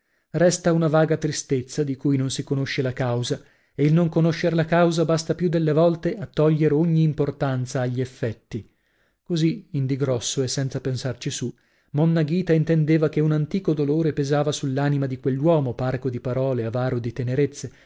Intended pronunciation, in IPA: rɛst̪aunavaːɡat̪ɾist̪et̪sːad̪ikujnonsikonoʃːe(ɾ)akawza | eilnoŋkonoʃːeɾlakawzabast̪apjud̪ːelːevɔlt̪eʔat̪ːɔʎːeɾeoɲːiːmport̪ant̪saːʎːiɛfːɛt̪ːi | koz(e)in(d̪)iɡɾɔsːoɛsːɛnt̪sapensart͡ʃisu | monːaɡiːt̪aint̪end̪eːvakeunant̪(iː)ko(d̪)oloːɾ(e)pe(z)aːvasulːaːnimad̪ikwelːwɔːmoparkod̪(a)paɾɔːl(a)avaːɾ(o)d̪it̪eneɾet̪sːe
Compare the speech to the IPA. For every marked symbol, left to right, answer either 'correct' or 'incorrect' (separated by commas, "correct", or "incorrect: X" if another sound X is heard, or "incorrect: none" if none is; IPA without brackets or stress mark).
incorrect: l, incorrect: i, correct, correct, correct, correct, correct, incorrect: i, incorrect: e, correct